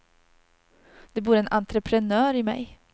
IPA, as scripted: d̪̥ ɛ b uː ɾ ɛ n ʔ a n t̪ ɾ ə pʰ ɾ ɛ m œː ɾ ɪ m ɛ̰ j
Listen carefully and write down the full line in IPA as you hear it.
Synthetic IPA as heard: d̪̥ ɛ b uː ɾ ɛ n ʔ a n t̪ ɾ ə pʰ ɾ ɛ n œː ɾ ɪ m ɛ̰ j